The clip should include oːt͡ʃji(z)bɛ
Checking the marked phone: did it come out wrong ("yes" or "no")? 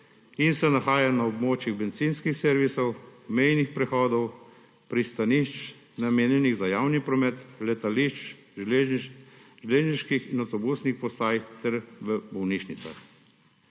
yes